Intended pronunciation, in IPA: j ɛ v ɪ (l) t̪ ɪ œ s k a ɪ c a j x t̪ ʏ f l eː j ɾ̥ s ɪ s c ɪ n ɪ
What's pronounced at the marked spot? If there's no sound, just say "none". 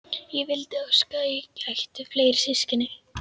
l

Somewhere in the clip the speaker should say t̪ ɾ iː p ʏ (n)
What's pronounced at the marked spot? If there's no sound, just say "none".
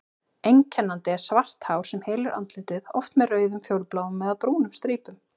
m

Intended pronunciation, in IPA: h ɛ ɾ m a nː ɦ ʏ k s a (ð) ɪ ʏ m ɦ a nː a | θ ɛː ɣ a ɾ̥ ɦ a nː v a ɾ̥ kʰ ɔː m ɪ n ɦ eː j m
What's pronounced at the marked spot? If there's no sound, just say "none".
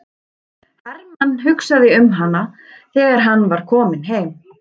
ð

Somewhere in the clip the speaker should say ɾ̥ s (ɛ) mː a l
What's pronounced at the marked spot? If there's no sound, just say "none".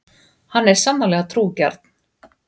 a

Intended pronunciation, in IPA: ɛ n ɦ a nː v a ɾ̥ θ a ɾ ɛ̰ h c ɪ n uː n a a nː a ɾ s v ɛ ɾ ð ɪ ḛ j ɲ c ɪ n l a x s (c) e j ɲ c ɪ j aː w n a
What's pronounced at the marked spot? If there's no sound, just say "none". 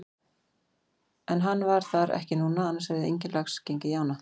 c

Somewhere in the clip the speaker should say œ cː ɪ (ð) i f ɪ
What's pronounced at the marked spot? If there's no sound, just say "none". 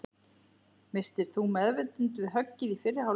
ð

